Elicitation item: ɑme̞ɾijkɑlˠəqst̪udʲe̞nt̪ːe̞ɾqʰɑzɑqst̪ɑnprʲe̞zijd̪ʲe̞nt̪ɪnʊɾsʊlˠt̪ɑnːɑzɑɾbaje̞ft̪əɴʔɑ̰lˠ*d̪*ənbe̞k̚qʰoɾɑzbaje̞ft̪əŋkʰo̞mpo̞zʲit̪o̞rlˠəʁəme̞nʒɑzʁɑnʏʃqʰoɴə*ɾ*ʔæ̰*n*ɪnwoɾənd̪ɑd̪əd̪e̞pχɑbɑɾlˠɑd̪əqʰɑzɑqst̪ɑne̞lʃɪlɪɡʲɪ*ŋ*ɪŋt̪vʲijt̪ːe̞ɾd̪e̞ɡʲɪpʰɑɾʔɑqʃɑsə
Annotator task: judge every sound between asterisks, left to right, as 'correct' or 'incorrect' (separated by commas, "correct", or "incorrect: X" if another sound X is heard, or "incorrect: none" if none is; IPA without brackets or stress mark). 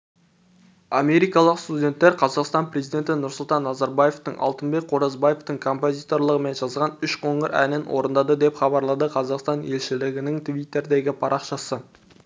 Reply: incorrect: t̪, correct, correct, incorrect: n